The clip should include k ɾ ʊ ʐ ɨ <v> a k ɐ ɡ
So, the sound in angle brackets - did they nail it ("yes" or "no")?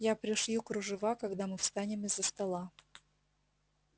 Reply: yes